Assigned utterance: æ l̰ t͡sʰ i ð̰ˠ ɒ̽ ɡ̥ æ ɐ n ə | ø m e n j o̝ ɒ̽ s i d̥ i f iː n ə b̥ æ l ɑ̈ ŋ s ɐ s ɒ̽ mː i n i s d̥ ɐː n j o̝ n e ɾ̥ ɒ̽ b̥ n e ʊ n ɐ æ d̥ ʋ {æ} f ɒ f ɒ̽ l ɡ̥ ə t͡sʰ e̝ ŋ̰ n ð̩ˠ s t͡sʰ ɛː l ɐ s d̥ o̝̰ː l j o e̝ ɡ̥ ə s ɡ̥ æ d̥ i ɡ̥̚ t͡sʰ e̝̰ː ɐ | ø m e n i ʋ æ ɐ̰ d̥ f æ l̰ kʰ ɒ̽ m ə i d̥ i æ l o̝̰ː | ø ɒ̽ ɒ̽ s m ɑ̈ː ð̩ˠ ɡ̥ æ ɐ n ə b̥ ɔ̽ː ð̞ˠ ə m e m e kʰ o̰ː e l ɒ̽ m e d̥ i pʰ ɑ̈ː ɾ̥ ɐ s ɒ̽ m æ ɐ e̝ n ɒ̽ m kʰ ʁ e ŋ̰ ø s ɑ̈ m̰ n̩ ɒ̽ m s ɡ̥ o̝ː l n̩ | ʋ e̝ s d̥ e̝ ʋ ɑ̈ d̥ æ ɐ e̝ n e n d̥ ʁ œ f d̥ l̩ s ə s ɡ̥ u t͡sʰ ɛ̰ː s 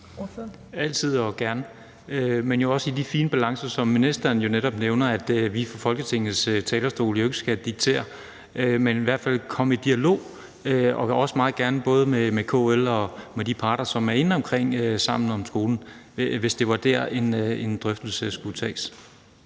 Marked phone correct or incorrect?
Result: incorrect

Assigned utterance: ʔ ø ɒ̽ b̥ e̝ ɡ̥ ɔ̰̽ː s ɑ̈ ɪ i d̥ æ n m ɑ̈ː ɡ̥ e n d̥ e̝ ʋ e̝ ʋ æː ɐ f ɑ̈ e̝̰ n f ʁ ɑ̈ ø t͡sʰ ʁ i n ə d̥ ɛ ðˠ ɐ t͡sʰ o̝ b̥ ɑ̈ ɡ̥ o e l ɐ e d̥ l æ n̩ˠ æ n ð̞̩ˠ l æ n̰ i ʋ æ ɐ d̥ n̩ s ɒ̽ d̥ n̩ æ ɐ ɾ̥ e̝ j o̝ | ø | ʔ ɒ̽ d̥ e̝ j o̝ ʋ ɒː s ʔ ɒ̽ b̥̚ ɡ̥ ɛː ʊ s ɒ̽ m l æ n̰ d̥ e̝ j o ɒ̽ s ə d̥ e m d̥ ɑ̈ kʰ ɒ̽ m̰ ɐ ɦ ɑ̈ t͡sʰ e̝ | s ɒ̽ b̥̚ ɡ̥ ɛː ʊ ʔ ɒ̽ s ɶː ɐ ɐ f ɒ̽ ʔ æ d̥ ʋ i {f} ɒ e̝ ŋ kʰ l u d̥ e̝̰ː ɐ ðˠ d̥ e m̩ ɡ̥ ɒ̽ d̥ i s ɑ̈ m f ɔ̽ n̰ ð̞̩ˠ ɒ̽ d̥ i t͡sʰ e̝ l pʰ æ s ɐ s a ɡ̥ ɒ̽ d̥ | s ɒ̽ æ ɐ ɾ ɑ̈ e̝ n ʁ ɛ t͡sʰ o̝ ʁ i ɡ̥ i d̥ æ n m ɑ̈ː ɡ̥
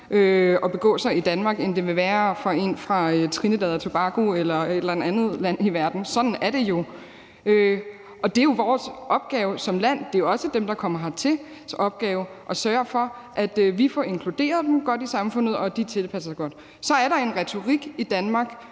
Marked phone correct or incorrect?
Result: correct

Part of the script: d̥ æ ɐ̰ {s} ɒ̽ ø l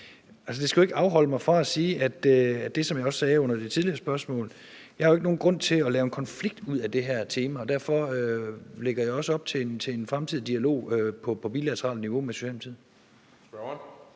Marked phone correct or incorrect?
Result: incorrect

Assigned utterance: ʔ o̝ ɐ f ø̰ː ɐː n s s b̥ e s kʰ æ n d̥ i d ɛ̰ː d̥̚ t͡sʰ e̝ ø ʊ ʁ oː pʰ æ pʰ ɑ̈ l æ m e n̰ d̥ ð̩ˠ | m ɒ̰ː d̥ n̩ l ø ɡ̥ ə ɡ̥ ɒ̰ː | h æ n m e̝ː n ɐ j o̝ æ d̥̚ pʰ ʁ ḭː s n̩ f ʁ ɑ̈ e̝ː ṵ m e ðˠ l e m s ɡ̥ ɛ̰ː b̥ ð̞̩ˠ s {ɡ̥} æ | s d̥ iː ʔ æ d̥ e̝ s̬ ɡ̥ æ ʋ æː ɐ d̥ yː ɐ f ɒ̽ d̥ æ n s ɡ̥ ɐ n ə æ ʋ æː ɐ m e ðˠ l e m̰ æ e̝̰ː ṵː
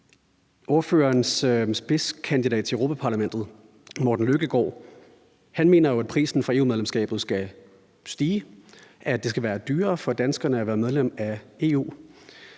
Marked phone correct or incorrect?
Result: correct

